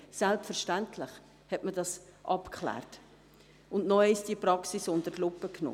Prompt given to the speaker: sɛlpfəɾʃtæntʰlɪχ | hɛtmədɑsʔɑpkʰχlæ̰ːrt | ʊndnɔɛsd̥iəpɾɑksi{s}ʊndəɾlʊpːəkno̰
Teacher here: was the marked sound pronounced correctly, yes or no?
yes